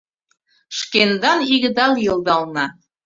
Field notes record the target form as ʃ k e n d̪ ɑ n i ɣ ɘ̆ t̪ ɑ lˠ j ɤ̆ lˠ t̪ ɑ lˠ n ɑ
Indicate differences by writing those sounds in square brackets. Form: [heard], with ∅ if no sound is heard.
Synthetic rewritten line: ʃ k e n d̪ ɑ n i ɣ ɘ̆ [d̪] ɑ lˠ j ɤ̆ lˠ [d̪] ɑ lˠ n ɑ